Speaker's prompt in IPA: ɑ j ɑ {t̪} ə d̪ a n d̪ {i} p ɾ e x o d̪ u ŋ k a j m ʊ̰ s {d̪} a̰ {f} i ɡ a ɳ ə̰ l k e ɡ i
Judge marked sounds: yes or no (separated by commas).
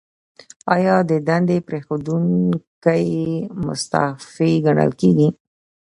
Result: no, no, no, yes